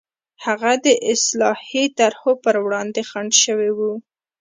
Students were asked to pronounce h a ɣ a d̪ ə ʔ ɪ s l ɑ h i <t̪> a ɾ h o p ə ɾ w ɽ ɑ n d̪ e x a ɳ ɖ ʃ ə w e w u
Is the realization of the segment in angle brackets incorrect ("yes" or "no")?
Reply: no